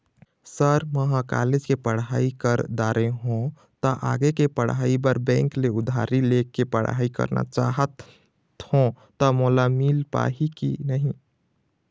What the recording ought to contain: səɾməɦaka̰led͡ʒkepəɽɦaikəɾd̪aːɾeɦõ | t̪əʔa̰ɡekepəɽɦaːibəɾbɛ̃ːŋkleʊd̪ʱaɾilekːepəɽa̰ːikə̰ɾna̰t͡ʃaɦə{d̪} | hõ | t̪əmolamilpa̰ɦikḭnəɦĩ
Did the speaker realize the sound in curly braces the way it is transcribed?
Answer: no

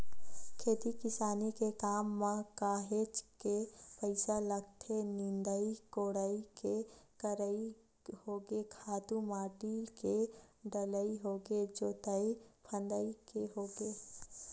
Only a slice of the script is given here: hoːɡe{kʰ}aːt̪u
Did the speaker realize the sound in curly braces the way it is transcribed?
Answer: yes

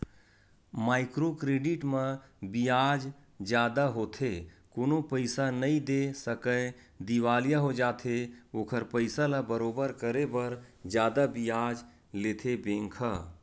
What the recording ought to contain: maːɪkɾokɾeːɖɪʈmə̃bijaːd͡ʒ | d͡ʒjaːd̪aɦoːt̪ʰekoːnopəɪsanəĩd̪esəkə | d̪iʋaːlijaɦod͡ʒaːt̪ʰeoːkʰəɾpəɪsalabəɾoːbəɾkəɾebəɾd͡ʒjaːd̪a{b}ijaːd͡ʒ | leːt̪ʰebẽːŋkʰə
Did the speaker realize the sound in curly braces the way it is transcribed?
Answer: yes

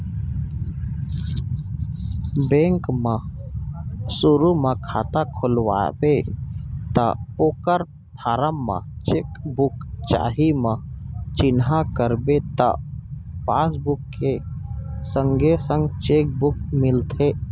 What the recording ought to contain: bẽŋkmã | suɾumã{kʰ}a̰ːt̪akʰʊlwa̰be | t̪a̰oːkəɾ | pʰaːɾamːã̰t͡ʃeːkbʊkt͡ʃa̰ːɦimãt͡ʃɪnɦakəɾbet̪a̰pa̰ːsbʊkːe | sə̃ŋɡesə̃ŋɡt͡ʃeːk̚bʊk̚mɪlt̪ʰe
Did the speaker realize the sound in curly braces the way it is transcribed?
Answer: yes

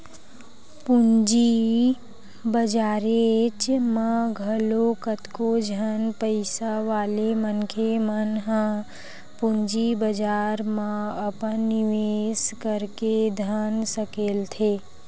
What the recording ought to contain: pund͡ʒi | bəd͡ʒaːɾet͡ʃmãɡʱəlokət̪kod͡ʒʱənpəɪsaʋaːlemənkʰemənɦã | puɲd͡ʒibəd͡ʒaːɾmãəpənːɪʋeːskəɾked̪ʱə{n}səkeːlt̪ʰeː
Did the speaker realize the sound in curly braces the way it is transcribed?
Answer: yes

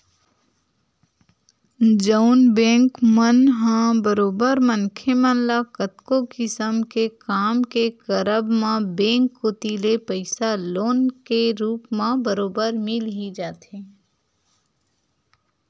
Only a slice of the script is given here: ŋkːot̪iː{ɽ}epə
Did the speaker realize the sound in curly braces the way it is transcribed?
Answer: no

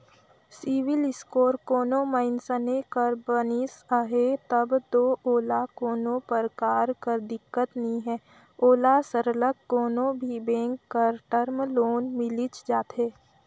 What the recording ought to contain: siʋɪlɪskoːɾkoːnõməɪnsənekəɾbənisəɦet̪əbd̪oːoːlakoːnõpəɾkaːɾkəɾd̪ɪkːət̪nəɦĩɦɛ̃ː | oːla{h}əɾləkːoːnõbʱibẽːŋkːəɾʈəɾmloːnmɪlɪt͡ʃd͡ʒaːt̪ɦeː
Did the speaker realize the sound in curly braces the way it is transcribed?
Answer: no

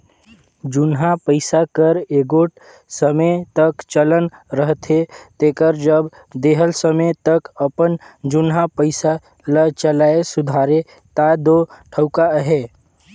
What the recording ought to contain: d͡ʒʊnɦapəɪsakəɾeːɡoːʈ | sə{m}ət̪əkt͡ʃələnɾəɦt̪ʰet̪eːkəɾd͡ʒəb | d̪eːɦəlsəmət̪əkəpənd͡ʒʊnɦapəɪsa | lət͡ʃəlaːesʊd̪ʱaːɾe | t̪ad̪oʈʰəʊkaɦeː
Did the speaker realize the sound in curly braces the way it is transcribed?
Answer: yes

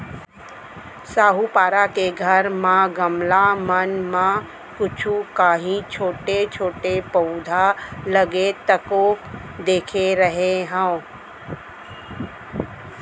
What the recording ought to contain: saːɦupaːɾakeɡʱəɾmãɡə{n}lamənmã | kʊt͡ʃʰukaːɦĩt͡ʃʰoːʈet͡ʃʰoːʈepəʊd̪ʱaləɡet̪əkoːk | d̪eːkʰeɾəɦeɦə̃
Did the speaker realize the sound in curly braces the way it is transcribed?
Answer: no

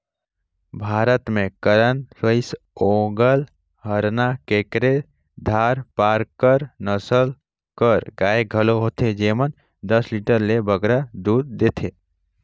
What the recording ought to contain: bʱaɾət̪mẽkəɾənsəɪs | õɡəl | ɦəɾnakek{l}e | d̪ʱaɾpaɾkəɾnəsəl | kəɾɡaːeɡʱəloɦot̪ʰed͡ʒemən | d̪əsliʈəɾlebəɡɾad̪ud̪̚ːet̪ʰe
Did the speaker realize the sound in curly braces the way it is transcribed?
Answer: no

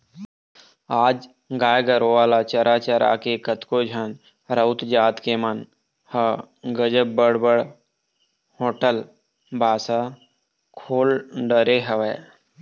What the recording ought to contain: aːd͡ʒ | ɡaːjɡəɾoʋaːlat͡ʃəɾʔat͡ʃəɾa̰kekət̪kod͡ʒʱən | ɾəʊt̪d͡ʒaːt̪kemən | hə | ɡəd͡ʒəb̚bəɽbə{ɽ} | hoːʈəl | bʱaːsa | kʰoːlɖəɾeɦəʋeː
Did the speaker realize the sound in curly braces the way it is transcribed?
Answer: yes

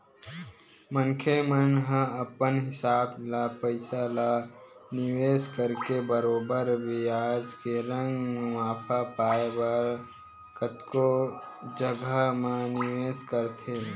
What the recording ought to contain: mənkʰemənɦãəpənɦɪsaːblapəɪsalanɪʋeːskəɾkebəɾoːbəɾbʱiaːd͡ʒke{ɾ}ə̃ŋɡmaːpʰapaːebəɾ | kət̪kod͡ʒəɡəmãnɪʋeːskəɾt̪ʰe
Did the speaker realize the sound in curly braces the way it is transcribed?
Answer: yes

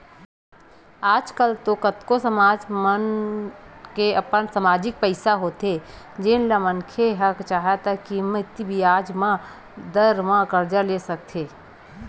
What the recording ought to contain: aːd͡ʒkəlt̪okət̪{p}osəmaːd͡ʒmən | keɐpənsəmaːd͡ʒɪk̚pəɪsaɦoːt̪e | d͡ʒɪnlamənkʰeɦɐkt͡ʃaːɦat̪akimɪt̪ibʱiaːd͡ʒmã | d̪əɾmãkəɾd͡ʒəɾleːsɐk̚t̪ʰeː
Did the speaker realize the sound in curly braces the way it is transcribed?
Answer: no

